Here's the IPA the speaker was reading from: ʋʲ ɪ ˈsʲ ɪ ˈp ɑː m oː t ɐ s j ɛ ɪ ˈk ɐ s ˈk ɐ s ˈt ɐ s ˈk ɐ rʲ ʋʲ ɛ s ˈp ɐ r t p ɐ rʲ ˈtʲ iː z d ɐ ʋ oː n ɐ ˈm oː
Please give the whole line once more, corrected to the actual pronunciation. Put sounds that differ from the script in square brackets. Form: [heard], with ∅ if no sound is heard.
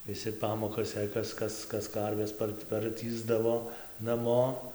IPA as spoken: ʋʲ ɪ ˈsʲ ɪ ˈp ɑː m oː [k] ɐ s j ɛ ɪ ˈk ɐ s ˈk ɐ s [ˈk] ɐ s ˈk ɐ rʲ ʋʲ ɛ s ˈp ɐ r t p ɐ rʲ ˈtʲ iː z d ɐ ʋ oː n ɐ ˈm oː